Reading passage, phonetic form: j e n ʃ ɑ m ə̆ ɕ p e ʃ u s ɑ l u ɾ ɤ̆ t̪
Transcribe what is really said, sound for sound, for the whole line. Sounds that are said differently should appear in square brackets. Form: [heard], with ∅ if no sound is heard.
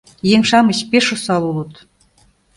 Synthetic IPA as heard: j e [ŋ] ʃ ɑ m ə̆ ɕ p e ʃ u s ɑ l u [l] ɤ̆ t̪

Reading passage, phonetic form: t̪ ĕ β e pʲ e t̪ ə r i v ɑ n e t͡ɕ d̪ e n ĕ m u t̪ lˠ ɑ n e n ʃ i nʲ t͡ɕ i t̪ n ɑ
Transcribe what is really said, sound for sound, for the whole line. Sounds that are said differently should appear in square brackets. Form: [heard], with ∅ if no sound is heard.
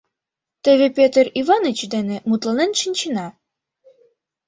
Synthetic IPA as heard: t̪ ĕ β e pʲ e t̪ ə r i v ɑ n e t͡ɕ d̪ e n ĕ m u t̪ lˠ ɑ n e n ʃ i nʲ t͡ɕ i [∅] n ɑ

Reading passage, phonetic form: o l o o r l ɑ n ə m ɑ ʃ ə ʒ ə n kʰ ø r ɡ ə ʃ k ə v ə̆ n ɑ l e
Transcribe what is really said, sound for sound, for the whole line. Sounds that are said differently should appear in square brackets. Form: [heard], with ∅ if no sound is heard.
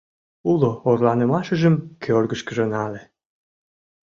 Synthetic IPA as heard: [u] l o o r l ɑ n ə m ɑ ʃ ə ʒ ə [m] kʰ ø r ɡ ə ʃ k ə [ʒ] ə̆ n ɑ l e

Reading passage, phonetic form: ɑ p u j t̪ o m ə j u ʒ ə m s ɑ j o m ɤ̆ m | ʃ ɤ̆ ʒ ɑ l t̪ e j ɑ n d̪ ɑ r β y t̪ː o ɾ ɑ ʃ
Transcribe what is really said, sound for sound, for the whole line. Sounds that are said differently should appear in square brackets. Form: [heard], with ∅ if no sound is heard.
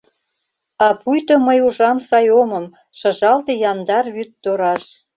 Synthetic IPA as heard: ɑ p u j t̪ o m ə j u ʒ [ɑ] m s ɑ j o m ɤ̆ m | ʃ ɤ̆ ʒ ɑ l t̪ e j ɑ n d̪ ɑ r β y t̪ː o ɾ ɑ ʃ

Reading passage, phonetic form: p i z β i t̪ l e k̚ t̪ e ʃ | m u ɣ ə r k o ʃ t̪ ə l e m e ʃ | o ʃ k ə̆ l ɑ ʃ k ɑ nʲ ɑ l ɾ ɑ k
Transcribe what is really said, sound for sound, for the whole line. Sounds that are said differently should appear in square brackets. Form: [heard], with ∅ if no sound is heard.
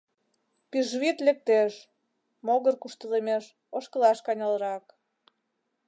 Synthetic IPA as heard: p i [ʒ] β i t̪ l e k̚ t̪ e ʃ | m [o] ɣ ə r k [u] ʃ t̪ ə l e m e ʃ | o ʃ k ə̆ l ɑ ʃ k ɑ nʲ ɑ l ɾ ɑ k

